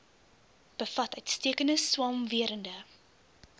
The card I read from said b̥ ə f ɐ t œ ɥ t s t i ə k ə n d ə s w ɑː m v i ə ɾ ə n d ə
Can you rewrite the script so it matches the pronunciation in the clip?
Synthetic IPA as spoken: b̥ ə f ɐ t œ ɥ t s t i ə k ə n d ə s w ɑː m v i ə ɾ ə n d ə